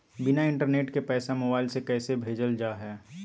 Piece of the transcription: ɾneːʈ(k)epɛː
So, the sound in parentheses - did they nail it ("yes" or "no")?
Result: yes